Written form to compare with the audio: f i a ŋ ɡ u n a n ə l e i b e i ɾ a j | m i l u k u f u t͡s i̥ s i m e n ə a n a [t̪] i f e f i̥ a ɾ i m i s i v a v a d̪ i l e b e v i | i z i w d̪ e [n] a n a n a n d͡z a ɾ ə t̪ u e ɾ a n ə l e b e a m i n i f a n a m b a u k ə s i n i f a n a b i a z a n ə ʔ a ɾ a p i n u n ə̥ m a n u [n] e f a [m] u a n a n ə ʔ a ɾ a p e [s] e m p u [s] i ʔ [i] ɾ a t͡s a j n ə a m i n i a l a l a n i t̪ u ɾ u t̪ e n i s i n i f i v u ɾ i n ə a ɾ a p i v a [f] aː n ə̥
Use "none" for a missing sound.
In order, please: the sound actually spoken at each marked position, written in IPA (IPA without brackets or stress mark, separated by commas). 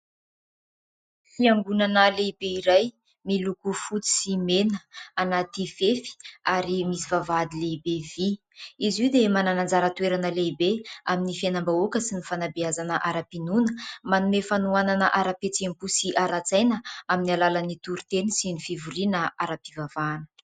t̪, m, m, n, t͡s, s, a, v